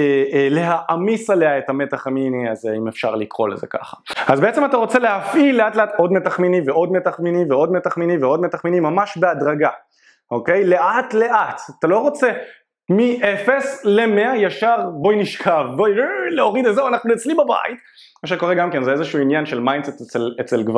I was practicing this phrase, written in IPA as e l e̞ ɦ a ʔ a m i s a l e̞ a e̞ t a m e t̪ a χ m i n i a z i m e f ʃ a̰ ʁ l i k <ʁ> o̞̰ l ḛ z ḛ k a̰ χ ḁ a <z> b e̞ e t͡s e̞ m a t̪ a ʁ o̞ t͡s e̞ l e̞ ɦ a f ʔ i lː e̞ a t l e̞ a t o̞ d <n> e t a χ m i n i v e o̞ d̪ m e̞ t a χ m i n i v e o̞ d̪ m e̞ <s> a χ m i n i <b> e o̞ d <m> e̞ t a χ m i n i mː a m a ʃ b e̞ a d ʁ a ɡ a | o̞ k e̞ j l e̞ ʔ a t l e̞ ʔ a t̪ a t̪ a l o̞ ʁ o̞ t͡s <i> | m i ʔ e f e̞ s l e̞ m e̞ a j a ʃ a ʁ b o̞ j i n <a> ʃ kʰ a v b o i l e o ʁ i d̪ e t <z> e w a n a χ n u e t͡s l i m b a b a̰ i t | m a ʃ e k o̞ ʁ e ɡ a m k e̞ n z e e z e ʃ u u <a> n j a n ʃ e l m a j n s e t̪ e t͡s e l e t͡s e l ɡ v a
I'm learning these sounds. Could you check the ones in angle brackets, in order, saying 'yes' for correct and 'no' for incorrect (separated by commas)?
yes, yes, no, no, no, yes, no, no, yes, no